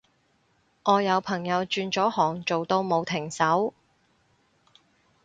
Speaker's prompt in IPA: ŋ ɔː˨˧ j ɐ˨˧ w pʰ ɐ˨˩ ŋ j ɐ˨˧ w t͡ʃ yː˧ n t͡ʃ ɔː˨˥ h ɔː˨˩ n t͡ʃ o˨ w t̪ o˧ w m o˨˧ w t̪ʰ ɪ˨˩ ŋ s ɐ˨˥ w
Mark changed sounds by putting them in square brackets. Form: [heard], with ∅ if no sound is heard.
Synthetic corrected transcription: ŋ ɔː˨˧ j ɐ˨˧ w pʰ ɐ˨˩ ŋ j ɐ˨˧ w t͡ʃ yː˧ n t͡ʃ ɔː˨˥ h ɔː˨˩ [ŋ] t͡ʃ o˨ w t̪ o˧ w m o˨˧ w t̪ʰ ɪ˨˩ ŋ s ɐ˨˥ w

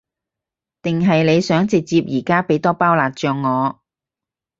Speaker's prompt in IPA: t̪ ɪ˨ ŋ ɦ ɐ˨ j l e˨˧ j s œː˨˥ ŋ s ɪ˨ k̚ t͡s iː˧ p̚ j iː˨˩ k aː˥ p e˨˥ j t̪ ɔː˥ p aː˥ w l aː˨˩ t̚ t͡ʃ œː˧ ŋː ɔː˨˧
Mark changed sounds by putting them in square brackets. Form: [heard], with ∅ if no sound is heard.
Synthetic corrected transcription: t̪ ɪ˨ ŋ ɦ ɐ˨ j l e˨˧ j s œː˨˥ ŋ [t͡s] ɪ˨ k̚ t͡s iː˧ p̚ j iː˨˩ k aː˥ p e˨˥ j t̪ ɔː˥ p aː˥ w l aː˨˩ t̚ t͡ʃ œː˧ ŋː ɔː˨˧

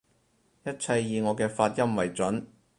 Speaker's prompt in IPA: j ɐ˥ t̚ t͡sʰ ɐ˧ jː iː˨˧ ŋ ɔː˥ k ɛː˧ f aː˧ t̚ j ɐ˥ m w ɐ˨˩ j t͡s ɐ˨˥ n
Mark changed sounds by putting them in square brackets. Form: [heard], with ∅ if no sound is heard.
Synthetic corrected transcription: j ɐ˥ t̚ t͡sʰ ɐ˧ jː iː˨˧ ŋ [ɔː˨˧] k ɛː˧ f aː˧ t̚ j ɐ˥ m w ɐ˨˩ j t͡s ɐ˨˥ n

